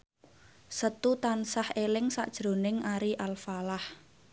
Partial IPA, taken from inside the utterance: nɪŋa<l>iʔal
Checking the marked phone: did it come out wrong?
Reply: yes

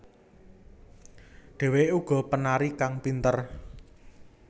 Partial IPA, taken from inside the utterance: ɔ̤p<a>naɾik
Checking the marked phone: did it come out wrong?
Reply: yes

